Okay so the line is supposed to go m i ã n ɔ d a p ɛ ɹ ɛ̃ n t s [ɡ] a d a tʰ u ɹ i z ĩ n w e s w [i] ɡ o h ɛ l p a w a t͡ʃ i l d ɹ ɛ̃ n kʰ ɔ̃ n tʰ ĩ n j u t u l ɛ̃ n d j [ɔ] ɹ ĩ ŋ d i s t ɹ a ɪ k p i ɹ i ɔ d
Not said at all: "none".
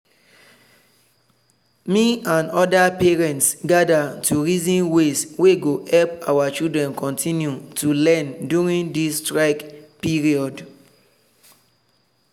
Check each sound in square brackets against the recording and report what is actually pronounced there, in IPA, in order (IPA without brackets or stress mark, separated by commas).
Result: ɡ, e, u